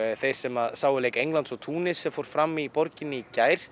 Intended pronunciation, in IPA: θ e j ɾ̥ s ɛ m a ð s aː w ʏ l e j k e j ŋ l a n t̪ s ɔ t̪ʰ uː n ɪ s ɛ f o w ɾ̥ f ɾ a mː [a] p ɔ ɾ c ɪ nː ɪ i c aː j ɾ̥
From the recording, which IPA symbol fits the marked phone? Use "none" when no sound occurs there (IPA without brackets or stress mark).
i